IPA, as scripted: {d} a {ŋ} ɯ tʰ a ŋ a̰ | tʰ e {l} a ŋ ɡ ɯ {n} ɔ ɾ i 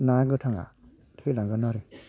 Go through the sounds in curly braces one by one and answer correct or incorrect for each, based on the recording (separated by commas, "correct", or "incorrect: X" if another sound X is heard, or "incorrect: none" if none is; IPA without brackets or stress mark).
incorrect: n, incorrect: ɡ, correct, correct